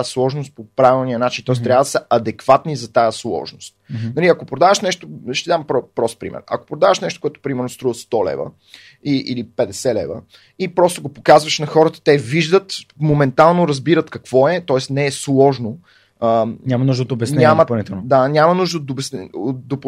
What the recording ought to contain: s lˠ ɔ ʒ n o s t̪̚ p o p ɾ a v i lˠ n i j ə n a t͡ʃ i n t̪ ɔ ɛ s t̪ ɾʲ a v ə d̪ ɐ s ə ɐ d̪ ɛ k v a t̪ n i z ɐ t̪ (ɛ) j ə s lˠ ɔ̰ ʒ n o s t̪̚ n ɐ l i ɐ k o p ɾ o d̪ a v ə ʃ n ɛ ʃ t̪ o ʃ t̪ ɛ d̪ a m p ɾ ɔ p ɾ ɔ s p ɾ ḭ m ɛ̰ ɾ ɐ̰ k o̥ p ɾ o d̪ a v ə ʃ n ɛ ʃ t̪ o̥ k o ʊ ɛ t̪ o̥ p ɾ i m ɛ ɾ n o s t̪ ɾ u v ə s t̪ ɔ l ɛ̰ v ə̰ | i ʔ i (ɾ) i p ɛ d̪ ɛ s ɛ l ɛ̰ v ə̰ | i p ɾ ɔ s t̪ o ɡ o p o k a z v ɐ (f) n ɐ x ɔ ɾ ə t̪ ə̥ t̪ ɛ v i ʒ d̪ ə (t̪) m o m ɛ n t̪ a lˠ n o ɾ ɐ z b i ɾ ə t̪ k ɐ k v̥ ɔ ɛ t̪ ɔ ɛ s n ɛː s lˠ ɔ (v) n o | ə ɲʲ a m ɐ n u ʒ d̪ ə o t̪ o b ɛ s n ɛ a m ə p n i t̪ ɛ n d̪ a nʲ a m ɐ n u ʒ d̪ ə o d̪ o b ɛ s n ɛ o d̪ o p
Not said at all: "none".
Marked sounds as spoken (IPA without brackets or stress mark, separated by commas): a, l, ʃ, t̪, ʒ